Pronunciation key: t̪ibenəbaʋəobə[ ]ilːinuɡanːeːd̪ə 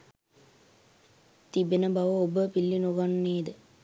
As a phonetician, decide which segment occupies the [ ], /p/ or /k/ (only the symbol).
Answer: p